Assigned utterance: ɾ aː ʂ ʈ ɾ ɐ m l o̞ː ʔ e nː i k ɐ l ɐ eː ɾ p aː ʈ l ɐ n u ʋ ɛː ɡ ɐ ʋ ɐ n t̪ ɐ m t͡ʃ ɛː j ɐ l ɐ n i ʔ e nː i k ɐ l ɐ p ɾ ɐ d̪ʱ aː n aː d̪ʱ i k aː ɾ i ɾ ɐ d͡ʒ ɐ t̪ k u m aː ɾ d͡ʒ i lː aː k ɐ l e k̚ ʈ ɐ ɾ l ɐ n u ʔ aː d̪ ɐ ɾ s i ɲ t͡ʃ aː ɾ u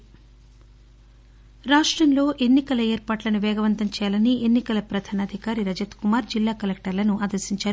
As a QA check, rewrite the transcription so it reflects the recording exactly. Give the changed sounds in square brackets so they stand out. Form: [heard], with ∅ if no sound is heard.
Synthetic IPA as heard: ɾ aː ʂ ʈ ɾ ɐ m l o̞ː ʔ e nː i k ɐ l ɐ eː ɾ p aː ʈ l ɐ n u ʋ ɛː ɡ ɐ ʋ ɐ n t̪ ɐ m t͡ʃ ɛː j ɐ l ɐ n i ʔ e nː i k ɐ l ɐ p ɾ ɐ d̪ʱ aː n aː d̪ʱ i k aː ɾ i ɾ ɐ d͡ʒ ɐ t̪ k u m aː ɾ d͡ʒ i lː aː k ɐ l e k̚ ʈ ɐ ɾ l ɐ n u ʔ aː d̪ ɐ ɾ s i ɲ t͡ʃ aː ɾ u